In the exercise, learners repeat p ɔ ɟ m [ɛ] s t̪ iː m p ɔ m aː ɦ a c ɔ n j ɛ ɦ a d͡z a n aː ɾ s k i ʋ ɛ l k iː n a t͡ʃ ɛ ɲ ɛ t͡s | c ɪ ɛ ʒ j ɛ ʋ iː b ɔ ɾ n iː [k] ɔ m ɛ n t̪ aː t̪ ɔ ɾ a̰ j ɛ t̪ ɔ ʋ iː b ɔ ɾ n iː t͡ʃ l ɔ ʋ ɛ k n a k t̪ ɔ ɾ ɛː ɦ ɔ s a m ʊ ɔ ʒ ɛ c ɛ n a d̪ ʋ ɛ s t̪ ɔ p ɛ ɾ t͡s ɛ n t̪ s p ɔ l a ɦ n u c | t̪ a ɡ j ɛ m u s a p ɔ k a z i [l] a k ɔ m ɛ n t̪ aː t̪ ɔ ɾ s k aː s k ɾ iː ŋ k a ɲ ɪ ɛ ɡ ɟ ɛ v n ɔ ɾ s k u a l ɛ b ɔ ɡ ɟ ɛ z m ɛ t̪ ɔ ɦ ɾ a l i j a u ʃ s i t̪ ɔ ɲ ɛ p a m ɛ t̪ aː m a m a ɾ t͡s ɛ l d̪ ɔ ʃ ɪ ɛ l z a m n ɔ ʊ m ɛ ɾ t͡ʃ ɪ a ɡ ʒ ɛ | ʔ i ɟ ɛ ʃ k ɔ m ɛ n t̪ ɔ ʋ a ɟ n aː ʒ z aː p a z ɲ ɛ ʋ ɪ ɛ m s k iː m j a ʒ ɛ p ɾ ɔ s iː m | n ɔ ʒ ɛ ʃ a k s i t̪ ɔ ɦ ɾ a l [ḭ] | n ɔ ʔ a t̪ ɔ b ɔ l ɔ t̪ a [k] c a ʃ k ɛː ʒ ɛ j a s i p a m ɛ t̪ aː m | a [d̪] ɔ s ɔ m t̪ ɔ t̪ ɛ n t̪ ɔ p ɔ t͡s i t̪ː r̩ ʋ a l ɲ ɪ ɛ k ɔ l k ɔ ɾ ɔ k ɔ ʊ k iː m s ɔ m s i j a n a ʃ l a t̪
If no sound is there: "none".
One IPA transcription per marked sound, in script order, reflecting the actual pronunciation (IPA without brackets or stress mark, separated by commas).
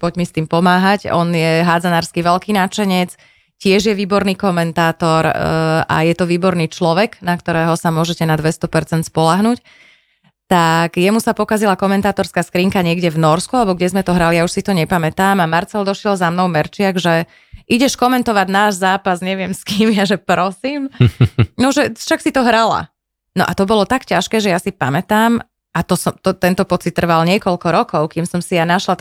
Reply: i, k, l, a̰, k, t̪